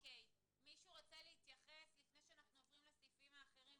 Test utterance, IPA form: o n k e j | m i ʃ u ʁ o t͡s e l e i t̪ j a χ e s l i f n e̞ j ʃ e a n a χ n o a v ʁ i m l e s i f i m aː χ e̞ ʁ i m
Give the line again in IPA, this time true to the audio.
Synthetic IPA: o k e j | m i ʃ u ʁ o t͡s e l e i t̪ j a χ e s l i f n e̞ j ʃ e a n a χ n u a v ʁ i m l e s i f i m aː χ e̞ ʁ i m